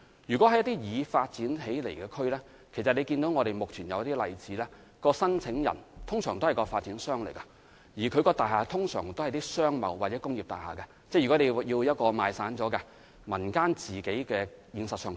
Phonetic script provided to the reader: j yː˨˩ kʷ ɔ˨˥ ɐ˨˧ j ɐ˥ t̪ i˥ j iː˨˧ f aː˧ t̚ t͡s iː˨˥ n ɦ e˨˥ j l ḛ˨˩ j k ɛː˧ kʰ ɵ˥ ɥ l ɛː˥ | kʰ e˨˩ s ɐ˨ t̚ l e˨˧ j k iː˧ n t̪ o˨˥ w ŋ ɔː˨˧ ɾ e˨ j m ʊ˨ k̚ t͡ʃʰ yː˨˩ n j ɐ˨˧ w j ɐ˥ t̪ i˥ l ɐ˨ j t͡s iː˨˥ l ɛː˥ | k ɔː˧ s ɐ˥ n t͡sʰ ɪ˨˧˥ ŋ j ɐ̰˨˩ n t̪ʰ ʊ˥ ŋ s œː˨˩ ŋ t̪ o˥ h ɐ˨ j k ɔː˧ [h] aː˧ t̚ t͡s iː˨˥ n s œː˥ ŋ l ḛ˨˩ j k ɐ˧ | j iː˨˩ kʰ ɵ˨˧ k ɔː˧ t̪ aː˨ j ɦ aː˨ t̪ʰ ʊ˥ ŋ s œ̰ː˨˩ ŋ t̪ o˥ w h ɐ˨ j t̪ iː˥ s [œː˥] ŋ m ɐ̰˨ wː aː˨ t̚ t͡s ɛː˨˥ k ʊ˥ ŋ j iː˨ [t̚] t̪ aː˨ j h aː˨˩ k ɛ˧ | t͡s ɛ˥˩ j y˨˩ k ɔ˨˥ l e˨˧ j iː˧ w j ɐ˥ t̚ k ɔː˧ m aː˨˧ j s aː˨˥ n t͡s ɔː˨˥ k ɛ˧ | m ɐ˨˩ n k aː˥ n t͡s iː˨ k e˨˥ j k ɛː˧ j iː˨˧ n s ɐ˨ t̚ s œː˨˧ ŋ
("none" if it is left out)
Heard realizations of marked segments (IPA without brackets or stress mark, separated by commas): f, œː˥, p̚